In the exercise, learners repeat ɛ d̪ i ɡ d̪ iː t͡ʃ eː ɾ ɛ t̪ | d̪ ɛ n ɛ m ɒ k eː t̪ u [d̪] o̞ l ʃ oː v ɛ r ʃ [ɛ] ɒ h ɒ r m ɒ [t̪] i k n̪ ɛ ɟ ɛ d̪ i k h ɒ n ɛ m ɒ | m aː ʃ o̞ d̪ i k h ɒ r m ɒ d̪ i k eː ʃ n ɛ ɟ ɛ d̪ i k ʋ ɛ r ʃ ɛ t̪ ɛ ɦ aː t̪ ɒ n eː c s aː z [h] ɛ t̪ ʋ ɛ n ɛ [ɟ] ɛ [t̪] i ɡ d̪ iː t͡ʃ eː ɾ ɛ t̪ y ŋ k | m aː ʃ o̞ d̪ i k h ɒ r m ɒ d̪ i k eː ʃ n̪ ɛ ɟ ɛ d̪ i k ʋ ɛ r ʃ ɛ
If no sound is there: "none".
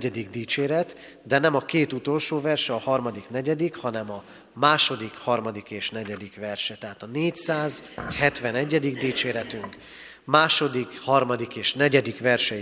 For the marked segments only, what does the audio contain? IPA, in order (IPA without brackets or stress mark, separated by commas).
t̪, ɛ, d̪, h, ɟː, d̪